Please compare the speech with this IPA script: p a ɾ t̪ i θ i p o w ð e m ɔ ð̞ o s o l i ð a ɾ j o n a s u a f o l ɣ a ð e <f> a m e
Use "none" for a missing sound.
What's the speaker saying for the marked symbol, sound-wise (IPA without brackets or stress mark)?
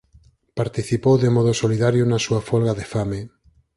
f